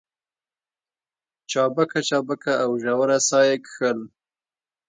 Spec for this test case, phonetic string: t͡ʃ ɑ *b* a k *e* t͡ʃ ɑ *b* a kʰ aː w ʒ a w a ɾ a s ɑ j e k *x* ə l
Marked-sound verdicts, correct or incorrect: correct, incorrect: a, correct, correct

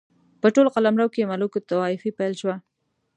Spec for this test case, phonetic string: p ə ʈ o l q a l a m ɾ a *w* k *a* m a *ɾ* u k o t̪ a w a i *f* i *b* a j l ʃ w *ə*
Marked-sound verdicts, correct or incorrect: correct, incorrect: e, incorrect: l, correct, incorrect: p, incorrect: a

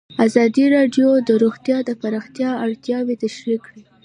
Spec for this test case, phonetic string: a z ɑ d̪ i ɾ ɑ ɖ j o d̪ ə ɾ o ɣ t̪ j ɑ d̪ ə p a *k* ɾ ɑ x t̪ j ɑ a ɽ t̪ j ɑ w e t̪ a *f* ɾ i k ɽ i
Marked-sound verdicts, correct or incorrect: incorrect: none, incorrect: ʃ

